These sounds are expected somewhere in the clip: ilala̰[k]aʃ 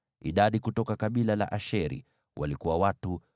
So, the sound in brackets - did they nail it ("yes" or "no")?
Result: no